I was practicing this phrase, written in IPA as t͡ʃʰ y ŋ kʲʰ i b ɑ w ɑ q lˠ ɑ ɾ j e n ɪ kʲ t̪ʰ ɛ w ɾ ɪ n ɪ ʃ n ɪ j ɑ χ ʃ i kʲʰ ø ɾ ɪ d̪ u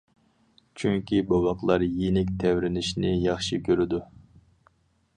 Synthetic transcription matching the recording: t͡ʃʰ y ŋ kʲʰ i b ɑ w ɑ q lˠ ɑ ɾ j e n ɪ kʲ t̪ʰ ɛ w ɾ ɪ n ɪ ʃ n ɪ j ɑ χ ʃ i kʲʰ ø ɾ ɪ d̪ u